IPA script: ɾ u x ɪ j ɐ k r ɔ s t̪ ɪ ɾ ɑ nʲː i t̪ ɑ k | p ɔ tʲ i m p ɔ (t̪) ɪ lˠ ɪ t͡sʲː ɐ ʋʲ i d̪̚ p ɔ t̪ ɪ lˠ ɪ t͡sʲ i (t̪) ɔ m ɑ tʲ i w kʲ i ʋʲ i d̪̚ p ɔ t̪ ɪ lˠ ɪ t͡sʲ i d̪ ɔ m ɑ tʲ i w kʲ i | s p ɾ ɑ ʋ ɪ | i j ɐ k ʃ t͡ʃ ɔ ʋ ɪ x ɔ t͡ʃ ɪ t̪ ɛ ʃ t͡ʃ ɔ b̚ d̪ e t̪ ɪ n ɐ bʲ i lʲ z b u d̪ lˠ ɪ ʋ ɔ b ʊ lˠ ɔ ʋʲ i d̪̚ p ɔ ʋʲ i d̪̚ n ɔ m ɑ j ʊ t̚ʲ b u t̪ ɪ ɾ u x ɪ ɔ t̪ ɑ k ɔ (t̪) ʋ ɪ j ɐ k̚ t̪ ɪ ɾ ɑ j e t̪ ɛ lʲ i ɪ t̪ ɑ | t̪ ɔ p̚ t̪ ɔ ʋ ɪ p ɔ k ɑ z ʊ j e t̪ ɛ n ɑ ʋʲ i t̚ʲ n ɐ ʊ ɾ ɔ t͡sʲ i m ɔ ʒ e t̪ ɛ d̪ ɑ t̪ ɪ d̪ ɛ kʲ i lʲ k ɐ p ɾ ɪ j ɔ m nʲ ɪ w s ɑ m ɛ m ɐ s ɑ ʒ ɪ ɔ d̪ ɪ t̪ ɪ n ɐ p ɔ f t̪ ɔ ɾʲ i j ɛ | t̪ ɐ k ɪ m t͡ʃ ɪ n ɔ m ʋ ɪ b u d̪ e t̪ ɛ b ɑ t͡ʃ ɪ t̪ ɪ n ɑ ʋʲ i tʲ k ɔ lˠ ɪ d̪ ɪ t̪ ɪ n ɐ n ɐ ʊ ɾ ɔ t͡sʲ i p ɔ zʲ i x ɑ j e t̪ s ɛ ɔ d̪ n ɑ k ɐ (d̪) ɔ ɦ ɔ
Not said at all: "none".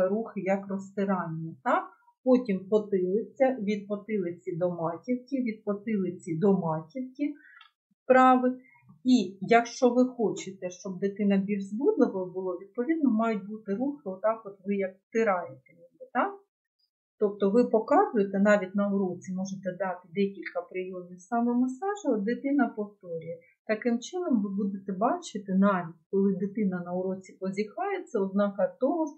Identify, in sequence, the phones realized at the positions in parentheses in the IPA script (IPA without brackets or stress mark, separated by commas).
t̪, d̪, t̪, t̪